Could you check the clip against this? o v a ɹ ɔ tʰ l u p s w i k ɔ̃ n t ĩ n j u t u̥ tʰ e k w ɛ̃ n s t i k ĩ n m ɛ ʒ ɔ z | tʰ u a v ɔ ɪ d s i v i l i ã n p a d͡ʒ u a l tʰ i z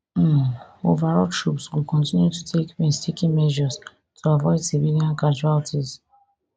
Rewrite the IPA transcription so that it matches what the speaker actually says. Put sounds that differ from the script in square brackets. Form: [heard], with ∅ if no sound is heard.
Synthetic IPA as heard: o v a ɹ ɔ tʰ [ɹ] u p s w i k ɔ̃ n t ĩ n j u t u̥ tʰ e k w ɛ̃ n s t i k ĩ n m ɛ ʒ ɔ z | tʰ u a v ɔ ɪ d s i v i l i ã n [k] a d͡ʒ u a l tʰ i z